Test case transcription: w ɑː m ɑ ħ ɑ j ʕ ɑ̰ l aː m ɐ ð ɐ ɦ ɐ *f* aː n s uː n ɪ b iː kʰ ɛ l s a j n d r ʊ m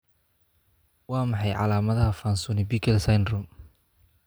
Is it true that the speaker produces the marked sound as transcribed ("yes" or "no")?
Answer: yes